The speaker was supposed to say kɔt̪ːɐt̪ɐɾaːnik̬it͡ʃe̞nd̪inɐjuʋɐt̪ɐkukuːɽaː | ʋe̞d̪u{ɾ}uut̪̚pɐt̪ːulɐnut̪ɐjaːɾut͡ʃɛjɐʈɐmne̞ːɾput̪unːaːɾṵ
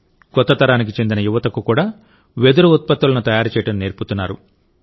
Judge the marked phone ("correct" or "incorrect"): correct